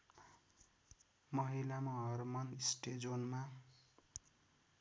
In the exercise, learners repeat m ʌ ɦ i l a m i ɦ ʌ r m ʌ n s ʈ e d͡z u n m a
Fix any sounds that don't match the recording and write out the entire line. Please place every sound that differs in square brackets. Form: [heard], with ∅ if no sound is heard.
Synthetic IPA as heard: m ʌ ɦ i l a m [a] ɦ ʌ r m ʌ n s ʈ e d͡z [o] n m a